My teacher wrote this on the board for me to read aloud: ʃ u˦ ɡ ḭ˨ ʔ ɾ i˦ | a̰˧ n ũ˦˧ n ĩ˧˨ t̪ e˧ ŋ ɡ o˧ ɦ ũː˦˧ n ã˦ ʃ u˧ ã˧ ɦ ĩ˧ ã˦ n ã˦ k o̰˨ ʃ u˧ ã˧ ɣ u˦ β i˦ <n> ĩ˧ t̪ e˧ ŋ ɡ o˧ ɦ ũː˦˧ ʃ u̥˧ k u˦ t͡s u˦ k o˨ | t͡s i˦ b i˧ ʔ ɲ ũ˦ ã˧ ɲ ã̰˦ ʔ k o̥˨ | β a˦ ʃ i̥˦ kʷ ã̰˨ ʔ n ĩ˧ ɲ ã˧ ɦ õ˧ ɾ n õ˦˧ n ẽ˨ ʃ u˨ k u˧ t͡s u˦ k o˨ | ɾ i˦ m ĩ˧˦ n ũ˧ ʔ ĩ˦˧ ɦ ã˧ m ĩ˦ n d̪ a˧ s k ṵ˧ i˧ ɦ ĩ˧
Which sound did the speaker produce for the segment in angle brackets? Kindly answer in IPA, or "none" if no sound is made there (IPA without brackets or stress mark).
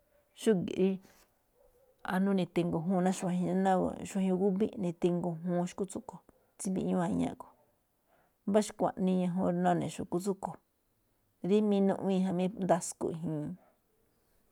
n